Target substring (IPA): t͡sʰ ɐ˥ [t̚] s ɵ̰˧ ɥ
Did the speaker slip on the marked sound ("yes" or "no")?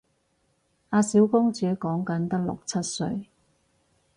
no